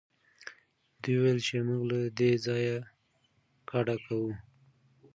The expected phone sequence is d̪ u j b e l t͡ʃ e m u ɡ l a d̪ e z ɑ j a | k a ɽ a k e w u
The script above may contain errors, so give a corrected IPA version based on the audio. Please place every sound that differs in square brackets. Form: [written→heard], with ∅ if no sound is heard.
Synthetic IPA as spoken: d̪ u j [b→w] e l t͡ʃ e m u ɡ l a d̪ e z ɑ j a | k a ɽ a k [e→a] w u